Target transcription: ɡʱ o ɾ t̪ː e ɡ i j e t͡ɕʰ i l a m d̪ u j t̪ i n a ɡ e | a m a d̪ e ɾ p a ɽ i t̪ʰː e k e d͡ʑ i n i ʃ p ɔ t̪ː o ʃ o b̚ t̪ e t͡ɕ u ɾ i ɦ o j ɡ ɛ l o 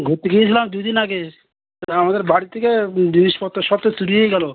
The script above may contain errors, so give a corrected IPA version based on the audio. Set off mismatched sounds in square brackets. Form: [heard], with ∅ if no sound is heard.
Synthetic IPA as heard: ɡʱ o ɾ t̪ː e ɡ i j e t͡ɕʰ i l a m d̪ u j [d̪] i n a ɡ e | a m a d̪ e ɾ [b] a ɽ i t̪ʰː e k e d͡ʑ i n i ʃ p ɔ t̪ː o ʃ [ɔ] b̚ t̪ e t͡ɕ u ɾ i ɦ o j ɡ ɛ l o

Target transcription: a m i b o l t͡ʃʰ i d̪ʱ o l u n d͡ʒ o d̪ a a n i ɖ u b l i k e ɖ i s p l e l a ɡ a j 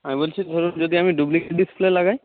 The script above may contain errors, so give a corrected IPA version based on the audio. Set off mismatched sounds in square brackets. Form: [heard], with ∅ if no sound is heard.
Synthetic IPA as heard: a m i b o l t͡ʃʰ i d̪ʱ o [ɾ] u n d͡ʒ o d̪ [i] a [m] i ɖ u b l i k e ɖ i s p l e l a ɡ a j

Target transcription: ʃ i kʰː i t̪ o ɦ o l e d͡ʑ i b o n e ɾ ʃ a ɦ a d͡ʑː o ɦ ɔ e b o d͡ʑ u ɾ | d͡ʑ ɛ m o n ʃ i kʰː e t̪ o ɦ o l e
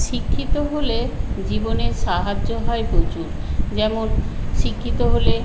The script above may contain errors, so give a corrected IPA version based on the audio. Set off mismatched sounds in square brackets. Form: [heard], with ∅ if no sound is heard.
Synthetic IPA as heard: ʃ i kʰː i t̪ o ɦ o l e d͡ʑ i b o n e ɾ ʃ a ɦ a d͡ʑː o ɦ ɔ e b o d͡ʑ u ɾ | d͡ʑ ɛ m o n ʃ i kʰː [i] t̪ o ɦ o l e

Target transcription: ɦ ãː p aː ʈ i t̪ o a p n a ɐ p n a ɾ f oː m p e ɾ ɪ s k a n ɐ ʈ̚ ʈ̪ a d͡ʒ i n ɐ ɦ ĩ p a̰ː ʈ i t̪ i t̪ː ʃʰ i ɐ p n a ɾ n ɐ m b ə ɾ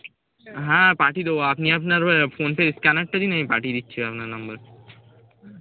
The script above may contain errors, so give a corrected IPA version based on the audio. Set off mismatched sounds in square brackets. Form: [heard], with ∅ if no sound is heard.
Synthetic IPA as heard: ɦ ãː p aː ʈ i [d̪] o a p n [i] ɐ p n a ɾ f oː [n] p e ɾ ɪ s k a n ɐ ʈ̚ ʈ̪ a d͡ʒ i n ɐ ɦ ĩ p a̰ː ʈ i [d̪] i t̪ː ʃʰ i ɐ p n a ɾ n ɐ m b ə ɾ

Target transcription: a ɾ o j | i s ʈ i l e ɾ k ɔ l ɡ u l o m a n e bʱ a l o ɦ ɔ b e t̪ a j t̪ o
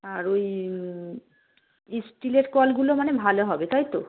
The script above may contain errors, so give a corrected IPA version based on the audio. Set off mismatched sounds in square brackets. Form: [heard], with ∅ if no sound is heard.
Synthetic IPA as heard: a ɾ o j | i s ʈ i l e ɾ k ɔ l ɡ u l o m a n e bʱ a l o ɦ ɔ b e t̪ a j t̪ o

